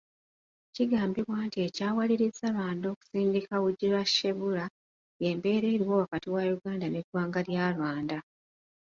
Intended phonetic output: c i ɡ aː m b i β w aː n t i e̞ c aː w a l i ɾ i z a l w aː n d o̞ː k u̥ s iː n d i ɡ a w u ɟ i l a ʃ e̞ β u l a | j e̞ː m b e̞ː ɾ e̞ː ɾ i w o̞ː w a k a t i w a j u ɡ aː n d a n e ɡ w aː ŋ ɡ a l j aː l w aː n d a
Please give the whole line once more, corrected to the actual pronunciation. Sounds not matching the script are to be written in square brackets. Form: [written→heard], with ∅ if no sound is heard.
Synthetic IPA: c i ɡ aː m b i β w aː n t i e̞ c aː w a l i ɾ i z a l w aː n d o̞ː k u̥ s iː n d i [ɡ→k] a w u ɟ i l a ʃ e̞ β u l a | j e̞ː m b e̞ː ɾ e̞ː ɾ i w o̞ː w a k a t i w a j u ɡ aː n d a n e ɡ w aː ŋ ɡ a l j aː l w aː n d a